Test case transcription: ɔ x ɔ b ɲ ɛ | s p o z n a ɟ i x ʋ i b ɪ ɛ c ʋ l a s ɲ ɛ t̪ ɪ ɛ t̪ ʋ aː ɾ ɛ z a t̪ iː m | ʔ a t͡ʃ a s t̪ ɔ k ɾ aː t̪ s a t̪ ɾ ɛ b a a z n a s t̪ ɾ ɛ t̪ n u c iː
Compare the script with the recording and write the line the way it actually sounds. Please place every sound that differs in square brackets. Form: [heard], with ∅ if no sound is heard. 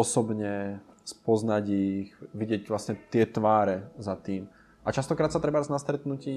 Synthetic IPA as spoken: ɔ [s] ɔ b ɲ ɛ | s p [ɔ] z n a ɟ i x ʋ i [ɟ] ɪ ɛ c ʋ l a s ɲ ɛ t̪ ɪ ɛ t̪ ʋ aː ɾ ɛ z a t̪ iː m | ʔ a t͡ʃ a s t̪ ɔ k ɾ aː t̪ s a t̪ ɾ ɛ b a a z n a s t̪ ɾ ɛ t̪ n u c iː